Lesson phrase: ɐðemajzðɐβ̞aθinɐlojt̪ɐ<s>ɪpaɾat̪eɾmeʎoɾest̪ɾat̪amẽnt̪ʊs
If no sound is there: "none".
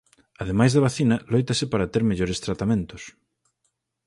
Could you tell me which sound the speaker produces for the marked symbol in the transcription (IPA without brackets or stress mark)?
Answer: s